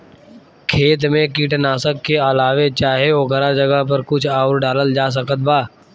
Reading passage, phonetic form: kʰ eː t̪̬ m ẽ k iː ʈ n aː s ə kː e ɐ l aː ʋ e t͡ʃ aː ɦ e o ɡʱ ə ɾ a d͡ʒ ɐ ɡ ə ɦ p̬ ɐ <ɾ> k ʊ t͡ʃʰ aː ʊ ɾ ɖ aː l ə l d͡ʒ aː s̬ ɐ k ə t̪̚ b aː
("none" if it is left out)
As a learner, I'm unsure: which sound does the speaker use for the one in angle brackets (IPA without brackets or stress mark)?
ɾ